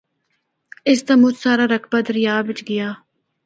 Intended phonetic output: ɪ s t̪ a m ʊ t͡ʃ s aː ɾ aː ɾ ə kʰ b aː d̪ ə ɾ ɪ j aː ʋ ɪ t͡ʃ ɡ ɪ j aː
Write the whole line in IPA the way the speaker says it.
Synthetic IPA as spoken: ɪ s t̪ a m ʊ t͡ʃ s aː ɾ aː ɾ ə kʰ b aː d̪ ə ɾ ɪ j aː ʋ ɪ t͡ʃ ɡ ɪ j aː